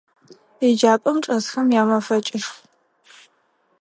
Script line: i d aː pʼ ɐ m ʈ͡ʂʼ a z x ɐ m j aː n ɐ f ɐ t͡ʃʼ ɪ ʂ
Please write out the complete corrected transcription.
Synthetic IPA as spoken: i d͡ʒ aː pʼ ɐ m ʈ͡ʂʼ ɐ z x ɐ m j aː m ɐ f ɐ t͡ʃʼ ɪ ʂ